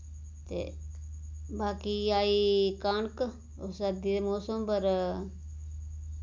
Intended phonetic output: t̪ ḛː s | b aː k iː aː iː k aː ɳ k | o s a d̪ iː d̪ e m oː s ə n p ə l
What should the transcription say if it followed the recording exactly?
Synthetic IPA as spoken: t̪ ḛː | b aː k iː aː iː k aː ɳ k | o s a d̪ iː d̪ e m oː s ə m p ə ɾ